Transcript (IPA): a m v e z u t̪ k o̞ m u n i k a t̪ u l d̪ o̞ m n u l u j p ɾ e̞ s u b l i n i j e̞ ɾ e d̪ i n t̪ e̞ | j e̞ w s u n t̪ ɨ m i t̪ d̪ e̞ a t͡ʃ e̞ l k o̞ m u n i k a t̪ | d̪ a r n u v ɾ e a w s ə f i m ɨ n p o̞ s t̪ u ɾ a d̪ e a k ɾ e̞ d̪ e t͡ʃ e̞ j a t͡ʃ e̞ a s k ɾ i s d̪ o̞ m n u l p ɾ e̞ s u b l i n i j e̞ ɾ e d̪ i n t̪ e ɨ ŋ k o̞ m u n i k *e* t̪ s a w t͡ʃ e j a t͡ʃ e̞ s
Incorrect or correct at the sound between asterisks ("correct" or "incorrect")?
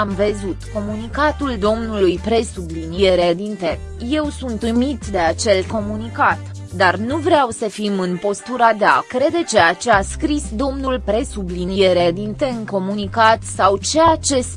incorrect